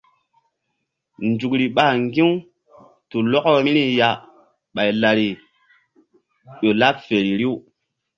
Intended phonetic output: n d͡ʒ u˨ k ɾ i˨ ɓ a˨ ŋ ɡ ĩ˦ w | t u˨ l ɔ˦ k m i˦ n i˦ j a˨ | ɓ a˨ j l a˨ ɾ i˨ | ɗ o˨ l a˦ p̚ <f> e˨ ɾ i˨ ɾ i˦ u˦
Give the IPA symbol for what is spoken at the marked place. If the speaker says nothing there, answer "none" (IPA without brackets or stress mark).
f